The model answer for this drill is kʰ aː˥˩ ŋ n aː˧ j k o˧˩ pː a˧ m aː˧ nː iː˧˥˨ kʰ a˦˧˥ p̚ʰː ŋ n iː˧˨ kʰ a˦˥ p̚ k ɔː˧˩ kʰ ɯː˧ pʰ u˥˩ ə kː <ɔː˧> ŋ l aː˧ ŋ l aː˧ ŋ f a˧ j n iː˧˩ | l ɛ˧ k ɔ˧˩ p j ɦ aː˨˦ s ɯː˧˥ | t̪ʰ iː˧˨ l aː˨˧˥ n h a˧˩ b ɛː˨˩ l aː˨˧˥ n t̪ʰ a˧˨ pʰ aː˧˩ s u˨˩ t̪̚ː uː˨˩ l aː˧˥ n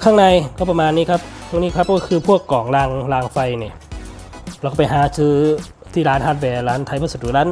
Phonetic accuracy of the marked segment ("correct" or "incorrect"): incorrect